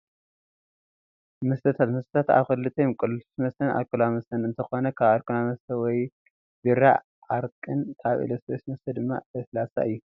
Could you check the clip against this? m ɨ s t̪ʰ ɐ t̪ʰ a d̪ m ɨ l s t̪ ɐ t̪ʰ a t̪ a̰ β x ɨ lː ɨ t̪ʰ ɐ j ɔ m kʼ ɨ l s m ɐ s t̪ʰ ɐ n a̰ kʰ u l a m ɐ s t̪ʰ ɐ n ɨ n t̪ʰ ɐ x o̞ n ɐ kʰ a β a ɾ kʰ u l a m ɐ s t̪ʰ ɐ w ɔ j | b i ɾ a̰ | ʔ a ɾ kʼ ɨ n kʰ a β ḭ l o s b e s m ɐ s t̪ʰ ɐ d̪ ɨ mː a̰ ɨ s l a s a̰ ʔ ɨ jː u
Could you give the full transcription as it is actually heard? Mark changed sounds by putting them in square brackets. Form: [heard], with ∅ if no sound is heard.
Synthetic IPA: m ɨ s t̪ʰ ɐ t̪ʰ a [t̪] m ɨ [∅] s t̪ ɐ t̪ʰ a t̪ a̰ β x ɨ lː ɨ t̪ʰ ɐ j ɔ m kʼ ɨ l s m ɐ s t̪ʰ ɐ n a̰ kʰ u l a m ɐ s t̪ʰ ɐ n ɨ n t̪ʰ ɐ x o̞ n ɐ kʰ a β a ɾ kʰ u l a m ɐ s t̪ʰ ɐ w ɔ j | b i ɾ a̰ | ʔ a ɾ kʼ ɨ n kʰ a β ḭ l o s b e s m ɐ s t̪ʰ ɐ d̪ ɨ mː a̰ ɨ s l a s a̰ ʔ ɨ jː u